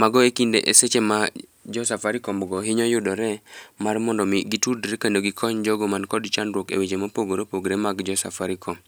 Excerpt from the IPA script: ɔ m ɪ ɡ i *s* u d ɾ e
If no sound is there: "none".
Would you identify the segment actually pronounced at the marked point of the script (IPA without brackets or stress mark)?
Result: t